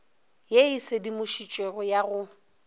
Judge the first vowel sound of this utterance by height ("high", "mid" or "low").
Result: mid